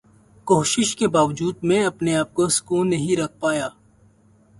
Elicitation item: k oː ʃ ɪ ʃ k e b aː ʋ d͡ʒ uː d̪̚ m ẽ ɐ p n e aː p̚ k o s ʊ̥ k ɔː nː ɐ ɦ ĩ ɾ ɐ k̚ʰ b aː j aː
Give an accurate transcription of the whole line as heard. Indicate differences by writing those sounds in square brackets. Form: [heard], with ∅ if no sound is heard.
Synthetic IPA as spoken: k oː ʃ ɪ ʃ k e b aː ʋ d͡ʒ uː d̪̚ m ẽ ɐ p n e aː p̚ k o s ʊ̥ k [uː] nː ɐ ɦ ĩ ɾ ɐ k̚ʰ [p] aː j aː